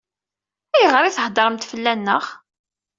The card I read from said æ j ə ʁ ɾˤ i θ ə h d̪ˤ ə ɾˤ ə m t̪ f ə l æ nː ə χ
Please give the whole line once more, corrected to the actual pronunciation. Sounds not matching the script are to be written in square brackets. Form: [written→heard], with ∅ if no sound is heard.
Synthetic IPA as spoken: æ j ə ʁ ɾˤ i θ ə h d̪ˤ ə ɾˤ ə m t̪ f ə [l→lː] æ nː ə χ